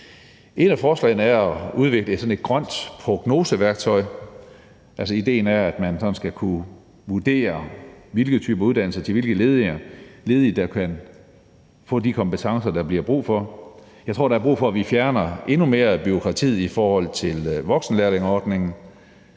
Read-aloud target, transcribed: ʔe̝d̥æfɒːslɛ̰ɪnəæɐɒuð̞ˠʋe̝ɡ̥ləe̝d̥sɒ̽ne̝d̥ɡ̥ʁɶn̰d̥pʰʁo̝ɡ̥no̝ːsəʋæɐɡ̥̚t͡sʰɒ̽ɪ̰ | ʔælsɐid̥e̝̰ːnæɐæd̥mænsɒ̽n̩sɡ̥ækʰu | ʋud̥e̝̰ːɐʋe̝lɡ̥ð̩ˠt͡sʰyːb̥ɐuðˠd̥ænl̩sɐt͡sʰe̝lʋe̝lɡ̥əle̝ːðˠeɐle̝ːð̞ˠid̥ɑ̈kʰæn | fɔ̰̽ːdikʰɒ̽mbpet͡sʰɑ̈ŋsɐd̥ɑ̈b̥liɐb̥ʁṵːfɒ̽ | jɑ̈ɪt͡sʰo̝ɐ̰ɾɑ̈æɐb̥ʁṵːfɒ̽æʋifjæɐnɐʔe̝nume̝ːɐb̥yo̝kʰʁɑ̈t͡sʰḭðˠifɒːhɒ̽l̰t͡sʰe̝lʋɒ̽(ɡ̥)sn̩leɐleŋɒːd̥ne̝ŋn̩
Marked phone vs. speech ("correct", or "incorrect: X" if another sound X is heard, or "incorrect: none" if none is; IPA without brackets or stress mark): correct